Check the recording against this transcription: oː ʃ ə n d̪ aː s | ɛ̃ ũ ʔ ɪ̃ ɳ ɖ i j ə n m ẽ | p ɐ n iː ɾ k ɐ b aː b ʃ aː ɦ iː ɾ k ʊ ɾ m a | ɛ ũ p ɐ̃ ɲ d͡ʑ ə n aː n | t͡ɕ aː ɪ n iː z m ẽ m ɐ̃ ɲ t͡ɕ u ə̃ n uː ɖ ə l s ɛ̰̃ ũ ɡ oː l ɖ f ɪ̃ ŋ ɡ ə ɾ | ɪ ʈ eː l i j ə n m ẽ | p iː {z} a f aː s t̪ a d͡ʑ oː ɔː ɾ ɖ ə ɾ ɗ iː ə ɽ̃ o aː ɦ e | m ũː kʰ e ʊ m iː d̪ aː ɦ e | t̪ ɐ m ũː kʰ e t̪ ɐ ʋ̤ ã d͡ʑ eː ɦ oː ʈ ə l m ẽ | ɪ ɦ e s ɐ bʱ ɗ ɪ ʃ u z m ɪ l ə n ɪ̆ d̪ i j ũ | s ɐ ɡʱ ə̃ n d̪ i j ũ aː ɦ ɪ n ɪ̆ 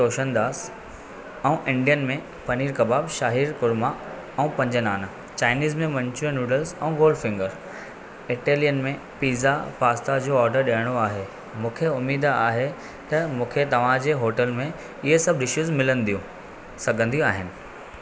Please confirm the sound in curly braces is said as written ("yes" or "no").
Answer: yes